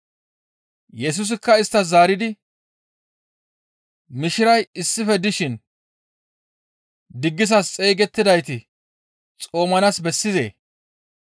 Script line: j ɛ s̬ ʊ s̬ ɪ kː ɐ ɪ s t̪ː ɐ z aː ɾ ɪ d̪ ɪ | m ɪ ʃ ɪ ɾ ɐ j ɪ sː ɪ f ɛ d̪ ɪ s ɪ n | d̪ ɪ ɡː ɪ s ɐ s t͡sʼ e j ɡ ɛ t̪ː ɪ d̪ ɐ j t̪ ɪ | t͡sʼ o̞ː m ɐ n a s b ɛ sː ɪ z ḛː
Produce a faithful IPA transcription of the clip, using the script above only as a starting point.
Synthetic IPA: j ɛ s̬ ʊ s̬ ɪ kː ɐ ɪ s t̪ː ɐ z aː ɾ ɪ d̪ ɪ | m ɪ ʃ ɪ ɾ ɐ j ɪ sː ɪ f ɛ d̪ ɪ ʃ ɪ n | d̪ ɪ ɡː ɪ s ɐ s t͡sʼ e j ɡ ɛ t̪ː ɪ d̪ ɐ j t̪ ɪ | t͡sʼ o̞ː m ɐ n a s b ɛ sː ɪ z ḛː